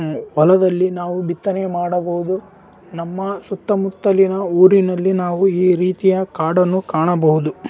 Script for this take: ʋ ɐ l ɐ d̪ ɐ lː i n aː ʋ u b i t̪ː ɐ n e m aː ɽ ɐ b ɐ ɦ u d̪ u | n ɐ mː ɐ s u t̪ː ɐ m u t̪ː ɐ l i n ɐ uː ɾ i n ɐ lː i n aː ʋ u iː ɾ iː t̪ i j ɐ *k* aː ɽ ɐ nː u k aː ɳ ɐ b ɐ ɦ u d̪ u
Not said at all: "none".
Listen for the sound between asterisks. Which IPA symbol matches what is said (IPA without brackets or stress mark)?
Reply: k